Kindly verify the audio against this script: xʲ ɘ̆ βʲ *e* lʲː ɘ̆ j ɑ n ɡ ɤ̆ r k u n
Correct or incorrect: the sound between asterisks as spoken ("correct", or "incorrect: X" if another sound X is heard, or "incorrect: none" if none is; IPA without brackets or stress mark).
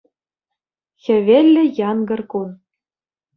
correct